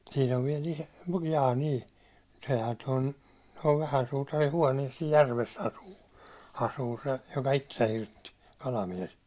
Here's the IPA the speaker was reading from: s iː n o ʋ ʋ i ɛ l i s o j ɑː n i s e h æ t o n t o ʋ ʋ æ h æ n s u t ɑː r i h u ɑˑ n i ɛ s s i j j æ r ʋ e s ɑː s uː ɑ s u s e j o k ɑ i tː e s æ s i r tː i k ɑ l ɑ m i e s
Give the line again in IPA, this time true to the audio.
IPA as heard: s iː n o ʋ ʋ i ɛ l i s o j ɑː n i s e h æ t o n t o ʋ ʋ æ h æ n s uː t ɑ r i h u ɑˑ n i ɛ s s i j j æ r ʋ e s ɑ s uː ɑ s uː s e j o k ɑ i tː e s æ h i r tː i k ɑ l ɑ m i e s